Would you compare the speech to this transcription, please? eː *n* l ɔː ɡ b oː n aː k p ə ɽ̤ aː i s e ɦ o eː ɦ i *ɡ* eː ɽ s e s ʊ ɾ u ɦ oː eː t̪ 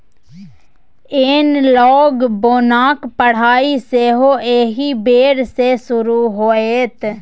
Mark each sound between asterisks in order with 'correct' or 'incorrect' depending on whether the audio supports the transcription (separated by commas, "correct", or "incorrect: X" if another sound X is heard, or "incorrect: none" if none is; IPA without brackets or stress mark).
correct, incorrect: b